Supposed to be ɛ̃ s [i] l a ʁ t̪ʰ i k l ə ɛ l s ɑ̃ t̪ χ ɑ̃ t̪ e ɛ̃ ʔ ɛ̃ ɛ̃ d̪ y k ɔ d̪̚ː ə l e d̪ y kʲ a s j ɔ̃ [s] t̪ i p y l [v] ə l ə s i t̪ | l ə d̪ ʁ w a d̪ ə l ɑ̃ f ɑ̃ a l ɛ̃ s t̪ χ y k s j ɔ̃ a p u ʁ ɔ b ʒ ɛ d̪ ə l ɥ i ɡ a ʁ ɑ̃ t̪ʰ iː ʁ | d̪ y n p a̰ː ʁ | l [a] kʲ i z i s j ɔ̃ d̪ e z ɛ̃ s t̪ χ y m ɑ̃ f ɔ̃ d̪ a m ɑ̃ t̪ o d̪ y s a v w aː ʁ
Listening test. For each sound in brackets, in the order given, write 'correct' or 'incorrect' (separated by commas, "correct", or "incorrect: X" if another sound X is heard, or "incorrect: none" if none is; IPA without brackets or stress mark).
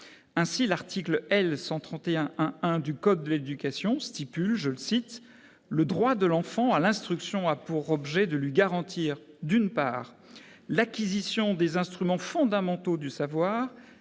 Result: correct, correct, incorrect: ʒ, correct